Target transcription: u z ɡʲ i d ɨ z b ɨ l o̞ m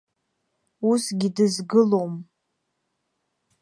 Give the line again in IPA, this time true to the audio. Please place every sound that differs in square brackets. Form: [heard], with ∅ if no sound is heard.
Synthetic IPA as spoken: u [s] ɡʲ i d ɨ z [ɡ] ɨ l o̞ m